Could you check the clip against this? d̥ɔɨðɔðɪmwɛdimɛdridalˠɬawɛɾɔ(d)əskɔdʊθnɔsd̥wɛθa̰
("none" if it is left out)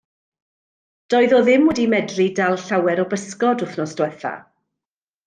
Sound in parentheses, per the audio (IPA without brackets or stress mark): b